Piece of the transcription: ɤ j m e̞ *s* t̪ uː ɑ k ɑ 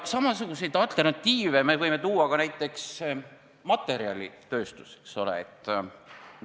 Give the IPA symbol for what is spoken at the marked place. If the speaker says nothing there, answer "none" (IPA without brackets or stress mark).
none